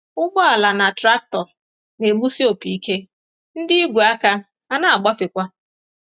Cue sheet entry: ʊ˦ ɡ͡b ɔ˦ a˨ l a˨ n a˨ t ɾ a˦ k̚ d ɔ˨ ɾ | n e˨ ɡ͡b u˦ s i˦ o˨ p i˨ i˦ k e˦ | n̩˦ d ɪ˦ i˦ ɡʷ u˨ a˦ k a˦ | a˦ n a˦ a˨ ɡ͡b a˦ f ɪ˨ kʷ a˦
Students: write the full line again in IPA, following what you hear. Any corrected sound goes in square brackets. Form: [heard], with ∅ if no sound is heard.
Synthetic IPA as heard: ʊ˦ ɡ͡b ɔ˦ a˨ l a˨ n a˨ t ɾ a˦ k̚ [t] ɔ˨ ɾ | n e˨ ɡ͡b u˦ s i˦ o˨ p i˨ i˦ k e˦ | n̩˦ d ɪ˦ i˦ ɡʷ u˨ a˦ k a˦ | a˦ n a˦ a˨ ɡ͡b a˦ f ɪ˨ kʷ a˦